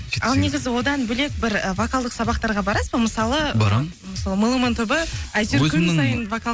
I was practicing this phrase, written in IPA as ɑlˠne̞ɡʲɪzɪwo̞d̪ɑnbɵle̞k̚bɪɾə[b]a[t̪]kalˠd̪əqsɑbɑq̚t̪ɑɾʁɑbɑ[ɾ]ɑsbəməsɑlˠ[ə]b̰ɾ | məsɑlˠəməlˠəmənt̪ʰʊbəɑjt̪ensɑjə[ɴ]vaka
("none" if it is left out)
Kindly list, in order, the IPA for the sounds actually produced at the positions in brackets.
v, none, ɾ, ə, n

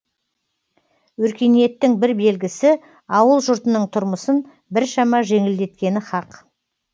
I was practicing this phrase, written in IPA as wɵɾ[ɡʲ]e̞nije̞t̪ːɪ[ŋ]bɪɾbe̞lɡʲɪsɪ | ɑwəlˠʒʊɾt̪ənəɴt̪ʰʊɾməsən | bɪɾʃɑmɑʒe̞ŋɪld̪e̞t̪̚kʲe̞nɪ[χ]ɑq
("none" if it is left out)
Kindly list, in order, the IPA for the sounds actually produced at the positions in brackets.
kʲ, ŋ, χ

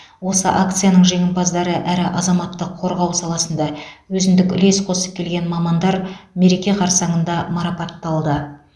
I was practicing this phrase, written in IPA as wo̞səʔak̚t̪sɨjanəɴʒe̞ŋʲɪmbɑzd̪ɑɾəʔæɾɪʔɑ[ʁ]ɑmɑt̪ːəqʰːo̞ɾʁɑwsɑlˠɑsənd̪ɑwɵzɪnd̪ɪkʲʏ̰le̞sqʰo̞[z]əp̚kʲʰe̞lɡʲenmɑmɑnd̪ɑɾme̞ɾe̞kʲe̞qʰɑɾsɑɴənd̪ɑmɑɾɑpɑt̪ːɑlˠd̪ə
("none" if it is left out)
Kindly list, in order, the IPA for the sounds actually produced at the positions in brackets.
z, s

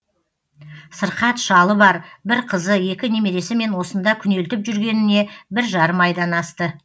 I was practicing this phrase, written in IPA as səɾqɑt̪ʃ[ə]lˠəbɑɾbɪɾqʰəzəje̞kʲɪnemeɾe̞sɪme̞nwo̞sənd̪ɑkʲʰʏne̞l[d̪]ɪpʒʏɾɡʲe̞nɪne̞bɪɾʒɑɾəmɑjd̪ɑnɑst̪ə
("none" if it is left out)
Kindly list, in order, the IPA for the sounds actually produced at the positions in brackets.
ɑ, t̪

